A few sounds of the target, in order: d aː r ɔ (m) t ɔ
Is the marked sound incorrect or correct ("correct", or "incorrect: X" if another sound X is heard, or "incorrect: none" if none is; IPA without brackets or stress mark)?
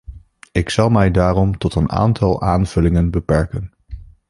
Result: correct